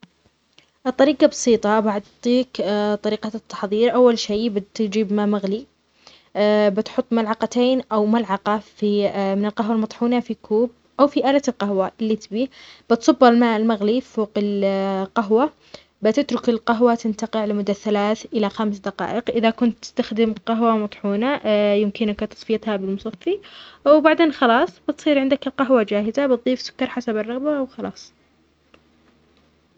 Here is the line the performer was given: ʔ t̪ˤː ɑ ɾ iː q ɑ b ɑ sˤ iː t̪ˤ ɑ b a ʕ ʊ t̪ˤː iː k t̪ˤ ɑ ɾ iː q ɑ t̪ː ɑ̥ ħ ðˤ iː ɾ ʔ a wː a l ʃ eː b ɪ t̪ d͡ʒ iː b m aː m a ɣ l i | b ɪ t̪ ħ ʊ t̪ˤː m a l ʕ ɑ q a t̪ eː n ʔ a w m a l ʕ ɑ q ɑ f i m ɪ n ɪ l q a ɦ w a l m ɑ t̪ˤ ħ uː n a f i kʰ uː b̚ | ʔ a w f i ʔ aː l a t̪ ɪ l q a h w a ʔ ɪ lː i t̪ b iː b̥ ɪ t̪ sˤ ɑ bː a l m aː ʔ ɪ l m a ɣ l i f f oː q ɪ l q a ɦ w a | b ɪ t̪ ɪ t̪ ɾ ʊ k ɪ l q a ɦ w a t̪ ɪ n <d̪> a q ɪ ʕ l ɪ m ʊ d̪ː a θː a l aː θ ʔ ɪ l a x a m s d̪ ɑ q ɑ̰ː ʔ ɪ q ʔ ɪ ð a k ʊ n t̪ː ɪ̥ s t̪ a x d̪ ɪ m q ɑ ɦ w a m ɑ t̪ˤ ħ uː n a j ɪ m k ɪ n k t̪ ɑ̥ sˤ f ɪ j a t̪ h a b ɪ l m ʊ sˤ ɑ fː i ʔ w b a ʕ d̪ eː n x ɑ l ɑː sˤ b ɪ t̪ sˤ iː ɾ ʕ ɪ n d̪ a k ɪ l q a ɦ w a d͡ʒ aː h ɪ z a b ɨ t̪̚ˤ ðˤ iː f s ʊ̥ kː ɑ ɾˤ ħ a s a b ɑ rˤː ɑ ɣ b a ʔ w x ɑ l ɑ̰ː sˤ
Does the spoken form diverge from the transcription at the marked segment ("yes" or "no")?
yes